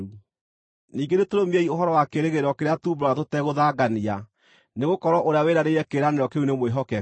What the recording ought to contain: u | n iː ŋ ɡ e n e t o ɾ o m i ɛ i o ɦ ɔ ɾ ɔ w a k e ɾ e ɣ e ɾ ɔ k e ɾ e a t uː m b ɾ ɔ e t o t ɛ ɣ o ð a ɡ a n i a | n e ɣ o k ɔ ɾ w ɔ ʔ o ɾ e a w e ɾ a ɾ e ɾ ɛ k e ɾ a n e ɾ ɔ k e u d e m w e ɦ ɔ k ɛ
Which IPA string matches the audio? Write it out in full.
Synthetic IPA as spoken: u | n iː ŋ ɡ e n e t o ɾ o m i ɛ i o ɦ ɔ ɾ ɔ w a k e ɾ e ɣ e ɾ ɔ k e ɾ e a t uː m b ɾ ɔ a t o t ɛ ɣ o ð a ɡ a n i a | n e ɣ o k ɔ ɾ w ɔ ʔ o ɾ e a w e ɾ a ɾ e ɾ ɛ k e ɾ a n e ɾ ɔ k e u n e m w e ɦ ɔ k ɛ